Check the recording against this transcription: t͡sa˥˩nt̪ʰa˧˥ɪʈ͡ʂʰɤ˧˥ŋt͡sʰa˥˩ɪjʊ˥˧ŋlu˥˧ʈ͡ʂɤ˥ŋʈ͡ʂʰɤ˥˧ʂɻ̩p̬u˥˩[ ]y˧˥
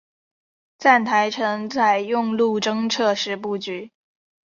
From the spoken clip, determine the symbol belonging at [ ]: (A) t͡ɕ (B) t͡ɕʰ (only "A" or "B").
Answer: A